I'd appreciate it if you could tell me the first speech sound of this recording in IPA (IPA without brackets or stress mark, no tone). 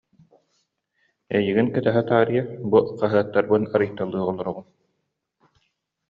ɛ